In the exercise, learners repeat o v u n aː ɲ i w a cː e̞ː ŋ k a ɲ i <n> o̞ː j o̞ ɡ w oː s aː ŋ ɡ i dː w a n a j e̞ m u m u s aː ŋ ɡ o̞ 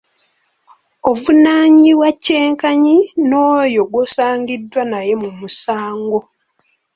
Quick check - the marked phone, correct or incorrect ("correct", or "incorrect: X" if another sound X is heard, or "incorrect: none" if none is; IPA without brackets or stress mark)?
correct